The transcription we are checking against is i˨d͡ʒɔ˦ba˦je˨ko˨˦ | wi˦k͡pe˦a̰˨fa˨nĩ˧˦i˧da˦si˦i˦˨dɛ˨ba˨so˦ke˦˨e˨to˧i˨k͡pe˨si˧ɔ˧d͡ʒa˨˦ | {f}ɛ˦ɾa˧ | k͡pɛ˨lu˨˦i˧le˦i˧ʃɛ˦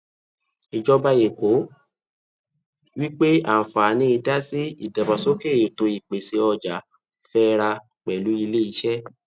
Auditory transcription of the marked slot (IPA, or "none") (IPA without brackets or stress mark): f